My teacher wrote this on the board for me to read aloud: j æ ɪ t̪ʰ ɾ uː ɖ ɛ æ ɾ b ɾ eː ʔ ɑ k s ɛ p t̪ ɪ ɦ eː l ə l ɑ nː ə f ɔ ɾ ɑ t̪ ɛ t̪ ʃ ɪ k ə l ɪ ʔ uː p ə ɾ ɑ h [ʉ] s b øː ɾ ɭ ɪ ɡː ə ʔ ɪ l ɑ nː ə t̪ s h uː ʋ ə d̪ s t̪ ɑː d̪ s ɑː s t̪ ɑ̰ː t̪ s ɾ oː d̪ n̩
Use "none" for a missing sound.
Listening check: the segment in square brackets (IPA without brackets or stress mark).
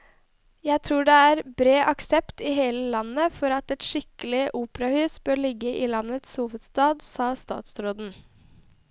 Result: ʉː